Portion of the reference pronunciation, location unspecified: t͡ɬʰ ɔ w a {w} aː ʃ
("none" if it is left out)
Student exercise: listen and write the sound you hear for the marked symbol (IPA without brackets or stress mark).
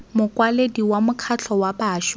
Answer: b